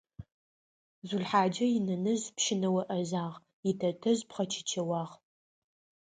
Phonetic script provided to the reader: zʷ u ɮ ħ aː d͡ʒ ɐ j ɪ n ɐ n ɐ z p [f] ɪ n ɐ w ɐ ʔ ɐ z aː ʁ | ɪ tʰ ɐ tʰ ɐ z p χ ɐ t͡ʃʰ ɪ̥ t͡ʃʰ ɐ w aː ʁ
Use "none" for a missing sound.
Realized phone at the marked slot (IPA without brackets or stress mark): ʃ